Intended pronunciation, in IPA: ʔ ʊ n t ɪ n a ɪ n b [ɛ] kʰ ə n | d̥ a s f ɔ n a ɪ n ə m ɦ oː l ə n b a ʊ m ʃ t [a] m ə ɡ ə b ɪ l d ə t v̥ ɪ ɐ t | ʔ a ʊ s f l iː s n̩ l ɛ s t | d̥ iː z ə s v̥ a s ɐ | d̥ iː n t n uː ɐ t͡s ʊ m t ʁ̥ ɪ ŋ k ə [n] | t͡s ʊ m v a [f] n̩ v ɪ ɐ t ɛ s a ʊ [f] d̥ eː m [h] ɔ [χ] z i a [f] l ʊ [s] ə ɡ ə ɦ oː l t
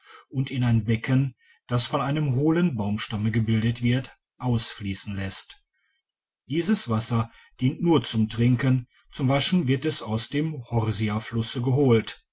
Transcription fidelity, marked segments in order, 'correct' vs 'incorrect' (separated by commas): correct, correct, correct, incorrect, incorrect, correct, incorrect, correct, correct